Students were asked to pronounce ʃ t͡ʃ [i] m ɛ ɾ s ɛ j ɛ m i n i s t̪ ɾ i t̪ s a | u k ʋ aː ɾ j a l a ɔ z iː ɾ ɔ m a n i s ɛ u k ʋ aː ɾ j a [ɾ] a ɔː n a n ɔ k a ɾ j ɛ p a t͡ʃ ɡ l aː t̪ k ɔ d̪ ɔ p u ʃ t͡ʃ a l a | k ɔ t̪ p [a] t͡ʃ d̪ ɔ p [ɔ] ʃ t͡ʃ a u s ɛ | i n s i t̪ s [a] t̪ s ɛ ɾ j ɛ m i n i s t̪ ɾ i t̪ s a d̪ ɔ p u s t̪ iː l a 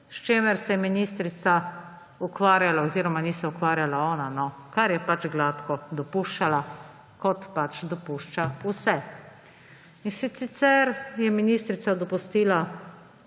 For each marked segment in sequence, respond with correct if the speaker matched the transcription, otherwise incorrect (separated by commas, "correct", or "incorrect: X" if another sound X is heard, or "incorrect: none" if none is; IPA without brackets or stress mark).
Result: incorrect: e, incorrect: l, correct, incorrect: u, incorrect: i